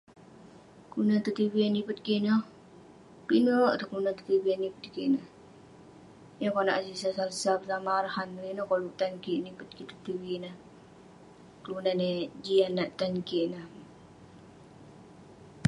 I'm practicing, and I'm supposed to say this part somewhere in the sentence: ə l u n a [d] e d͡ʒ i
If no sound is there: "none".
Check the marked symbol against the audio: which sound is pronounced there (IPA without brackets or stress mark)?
n